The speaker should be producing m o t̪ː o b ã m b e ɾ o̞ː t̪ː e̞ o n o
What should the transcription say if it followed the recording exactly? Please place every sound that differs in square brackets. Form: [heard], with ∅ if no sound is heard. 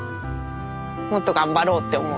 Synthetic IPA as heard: m o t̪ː o [ɡ] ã m b [a] ɾ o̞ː t̪ː e̞ o [m] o

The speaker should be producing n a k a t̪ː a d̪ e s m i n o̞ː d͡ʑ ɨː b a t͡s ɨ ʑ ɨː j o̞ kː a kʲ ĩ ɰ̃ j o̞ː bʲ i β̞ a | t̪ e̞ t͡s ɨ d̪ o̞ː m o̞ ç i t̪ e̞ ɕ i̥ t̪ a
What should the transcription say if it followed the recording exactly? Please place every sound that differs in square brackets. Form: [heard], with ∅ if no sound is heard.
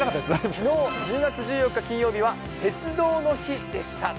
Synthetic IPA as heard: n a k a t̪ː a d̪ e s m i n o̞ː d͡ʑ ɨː [ɡ] a t͡s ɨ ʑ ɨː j o̞ kː a kʲ ĩ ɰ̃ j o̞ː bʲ i β̞ a | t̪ e̞ t͡s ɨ d̪ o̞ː [n] o̞ ç i [d̪] e̞ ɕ i̥ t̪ a

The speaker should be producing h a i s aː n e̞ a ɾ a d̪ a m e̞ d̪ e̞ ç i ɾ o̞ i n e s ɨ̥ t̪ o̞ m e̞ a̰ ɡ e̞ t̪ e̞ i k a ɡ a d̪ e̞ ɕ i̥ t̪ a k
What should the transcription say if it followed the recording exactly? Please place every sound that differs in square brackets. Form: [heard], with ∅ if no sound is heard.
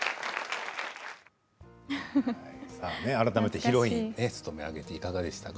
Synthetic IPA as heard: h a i s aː n e̞ a ɾ a [t̪] a m e̞ [t̪] e̞ ç i ɾ o̞ i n e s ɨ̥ t̪ o̞ m e̞ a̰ ɡ e̞ t̪ e̞ i k a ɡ a d̪ e̞ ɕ i̥ t̪ a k

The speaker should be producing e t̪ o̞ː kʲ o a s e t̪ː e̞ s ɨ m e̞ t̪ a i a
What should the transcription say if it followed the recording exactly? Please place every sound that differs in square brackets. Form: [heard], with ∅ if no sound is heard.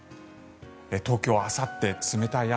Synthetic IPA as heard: e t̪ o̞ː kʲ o a s [a] t̪ː e̞ [t͡s] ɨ m e̞ t̪ a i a

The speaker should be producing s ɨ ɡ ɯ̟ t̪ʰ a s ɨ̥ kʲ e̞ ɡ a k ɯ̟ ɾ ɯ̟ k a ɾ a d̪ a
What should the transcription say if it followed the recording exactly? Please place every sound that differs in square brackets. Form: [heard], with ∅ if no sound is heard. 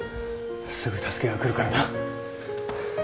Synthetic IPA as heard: s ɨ ɡ ɯ̟ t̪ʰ a s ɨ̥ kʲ e̞ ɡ a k ɯ̟ ɾ ɯ̟ k a ɾ a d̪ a

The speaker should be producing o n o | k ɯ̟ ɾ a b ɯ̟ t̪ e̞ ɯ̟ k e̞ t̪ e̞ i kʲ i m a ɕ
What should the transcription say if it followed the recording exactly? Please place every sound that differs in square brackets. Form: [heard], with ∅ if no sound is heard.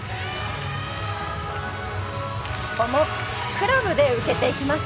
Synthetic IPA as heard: o [m] o | k ɯ̟ ɾ a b ɯ̟ [d̪] e̞ ɯ̟ k e̞ t̪ e̞ i kʲ i m a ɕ

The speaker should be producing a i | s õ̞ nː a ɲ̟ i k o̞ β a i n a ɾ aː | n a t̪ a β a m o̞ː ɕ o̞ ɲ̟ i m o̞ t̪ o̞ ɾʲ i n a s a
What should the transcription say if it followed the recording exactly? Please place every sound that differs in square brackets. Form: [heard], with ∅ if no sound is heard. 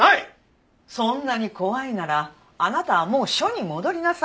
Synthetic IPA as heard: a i | s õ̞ nː a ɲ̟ i k o̞ β a i n a ɾ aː | n a t̪ a β a m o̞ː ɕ o̞ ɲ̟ i m o̞ [d̪] o̞ ɾʲ i n a s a

